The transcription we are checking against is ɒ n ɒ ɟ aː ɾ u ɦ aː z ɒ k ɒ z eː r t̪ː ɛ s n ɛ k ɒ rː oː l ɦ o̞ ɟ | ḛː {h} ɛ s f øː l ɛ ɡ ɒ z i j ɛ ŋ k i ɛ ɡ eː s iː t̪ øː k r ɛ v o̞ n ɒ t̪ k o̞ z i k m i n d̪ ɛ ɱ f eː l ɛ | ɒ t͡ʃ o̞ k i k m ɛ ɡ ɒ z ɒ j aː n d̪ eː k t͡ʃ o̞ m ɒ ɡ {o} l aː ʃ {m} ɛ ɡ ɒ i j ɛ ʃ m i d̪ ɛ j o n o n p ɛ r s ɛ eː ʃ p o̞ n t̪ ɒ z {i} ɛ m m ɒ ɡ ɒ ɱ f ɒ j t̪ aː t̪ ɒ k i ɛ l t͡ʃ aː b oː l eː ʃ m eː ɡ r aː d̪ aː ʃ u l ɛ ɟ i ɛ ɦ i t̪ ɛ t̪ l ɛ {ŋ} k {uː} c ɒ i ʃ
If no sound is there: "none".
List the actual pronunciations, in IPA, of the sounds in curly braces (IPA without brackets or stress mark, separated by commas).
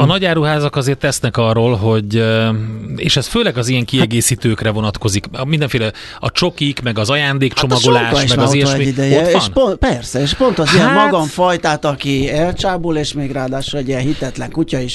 ʃ, o, m, i, ŋ, u